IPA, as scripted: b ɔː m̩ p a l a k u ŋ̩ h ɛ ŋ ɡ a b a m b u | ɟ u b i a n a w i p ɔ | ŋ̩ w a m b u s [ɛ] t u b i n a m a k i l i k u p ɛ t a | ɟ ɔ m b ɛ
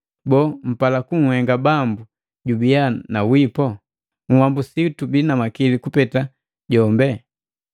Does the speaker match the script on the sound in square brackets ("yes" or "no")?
no